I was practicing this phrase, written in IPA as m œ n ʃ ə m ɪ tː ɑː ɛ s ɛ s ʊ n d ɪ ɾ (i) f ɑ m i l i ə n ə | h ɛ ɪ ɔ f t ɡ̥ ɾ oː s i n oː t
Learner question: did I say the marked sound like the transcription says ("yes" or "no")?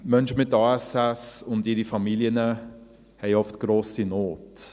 yes